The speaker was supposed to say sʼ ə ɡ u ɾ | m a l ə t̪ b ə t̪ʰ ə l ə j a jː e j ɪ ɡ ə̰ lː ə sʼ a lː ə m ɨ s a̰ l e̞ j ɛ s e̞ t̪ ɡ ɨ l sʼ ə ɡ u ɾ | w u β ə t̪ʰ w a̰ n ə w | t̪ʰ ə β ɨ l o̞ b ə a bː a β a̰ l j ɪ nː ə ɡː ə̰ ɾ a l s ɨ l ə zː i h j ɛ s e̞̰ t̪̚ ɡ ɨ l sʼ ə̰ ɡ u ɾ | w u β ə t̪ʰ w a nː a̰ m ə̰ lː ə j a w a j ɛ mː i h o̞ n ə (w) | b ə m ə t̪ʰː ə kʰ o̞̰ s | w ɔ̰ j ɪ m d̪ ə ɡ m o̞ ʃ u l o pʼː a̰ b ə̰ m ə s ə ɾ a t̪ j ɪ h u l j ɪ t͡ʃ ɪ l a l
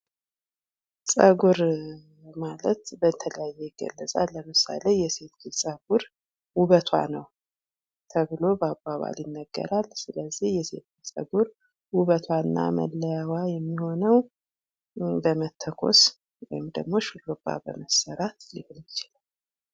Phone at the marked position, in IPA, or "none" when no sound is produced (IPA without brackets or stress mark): w